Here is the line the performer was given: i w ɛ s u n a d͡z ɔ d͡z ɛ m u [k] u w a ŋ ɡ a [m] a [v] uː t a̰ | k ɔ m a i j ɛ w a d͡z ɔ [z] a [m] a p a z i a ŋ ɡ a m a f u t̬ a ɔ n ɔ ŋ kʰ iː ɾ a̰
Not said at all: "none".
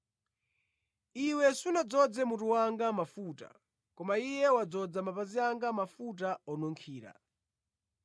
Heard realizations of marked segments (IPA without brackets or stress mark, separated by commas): t, m, f, d͡z, m